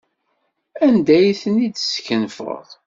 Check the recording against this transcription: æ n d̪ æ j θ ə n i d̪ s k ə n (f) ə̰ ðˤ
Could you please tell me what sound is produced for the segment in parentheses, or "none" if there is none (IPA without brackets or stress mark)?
f